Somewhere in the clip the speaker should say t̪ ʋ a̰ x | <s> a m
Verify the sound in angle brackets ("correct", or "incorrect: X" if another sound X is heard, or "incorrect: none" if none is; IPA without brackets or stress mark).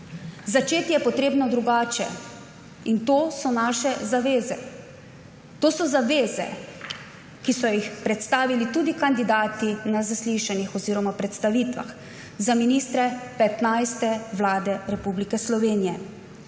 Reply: incorrect: z